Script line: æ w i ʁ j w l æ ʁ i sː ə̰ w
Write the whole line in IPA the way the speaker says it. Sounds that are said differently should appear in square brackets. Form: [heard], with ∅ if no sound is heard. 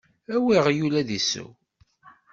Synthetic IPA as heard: æ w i ʁ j [u] l æ [ð] i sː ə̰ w